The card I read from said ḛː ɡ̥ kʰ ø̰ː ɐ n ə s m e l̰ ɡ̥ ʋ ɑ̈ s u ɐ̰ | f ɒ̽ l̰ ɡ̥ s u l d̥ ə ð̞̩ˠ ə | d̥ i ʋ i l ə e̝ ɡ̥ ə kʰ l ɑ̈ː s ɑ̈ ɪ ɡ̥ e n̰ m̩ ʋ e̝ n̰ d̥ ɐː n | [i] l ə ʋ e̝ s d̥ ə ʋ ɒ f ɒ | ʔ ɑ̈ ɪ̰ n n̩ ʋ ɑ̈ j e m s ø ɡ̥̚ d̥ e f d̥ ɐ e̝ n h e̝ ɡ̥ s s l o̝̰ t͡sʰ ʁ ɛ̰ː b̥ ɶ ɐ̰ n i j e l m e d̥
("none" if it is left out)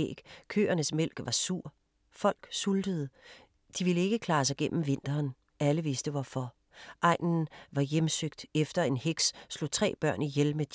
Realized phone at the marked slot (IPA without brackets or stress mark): æ